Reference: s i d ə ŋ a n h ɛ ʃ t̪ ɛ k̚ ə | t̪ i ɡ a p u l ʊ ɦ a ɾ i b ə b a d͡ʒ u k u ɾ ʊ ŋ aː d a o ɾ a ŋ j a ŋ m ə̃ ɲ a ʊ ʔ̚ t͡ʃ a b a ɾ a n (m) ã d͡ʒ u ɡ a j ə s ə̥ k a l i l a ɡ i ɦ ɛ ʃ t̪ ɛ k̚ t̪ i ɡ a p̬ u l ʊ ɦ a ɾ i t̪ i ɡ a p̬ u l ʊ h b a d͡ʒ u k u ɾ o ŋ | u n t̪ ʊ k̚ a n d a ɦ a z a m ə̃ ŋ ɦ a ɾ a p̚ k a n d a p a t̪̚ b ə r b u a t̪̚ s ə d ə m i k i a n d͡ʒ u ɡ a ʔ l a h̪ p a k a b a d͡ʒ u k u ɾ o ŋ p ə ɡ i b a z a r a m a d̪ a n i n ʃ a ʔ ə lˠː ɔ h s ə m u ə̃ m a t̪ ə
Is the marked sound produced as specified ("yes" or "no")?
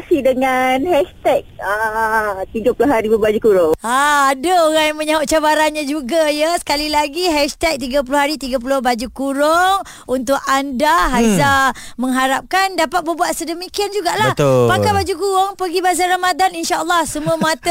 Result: no